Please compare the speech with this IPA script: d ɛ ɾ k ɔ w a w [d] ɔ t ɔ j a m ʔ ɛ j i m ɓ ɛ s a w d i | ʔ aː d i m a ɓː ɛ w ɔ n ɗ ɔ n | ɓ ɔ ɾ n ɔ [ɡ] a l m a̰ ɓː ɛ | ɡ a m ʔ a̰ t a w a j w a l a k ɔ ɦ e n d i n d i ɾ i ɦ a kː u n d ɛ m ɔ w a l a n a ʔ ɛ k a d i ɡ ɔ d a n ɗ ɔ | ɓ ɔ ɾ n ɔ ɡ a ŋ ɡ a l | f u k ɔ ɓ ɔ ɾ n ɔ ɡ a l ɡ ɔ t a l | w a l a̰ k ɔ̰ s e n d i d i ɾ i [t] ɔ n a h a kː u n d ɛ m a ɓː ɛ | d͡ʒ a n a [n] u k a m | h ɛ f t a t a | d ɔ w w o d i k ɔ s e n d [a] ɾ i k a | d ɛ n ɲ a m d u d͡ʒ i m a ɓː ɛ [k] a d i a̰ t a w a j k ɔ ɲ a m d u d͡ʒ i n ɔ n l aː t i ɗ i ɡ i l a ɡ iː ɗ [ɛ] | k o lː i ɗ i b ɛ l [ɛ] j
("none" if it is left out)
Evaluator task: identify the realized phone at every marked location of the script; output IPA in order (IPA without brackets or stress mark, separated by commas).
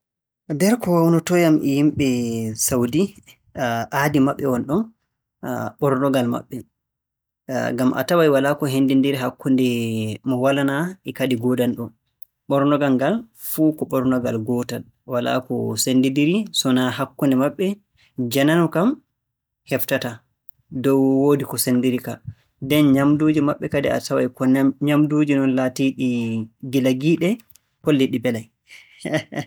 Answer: n, ɡ, s, n, i, k, ɛ, a